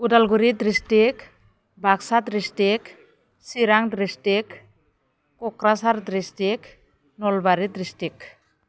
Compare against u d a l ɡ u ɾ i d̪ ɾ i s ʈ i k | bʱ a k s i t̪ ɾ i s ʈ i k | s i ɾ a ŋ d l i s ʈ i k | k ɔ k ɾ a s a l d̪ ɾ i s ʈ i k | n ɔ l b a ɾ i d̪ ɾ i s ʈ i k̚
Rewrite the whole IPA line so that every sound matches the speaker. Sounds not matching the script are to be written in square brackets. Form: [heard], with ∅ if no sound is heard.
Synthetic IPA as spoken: u d a l ɡ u ɾ i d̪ ɾ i s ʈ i k | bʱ a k s [a] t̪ ɾ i s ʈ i k | s i ɾ a ŋ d [ɾ] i s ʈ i k | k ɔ k ɾ a s a [ɾ] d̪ ɾ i s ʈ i k | n ɔ l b a ɾ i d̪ ɾ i s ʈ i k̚